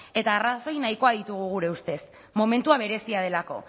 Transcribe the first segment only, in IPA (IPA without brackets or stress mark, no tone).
e̞